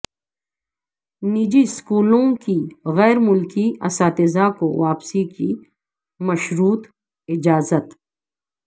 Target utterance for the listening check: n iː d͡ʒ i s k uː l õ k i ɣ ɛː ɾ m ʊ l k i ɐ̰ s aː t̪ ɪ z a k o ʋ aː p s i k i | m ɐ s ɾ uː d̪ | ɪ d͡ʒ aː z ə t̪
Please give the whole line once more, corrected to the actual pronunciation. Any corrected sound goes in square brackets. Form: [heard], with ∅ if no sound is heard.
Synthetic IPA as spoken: n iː d͡ʒ i s k uː l õ k i ɣ ɛː ɾ m ʊ l k i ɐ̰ s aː t̪ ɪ z a k o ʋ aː p s i k i | m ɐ [ʃ] ɾ uː [t̪] | ɪ d͡ʒ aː z ə t̪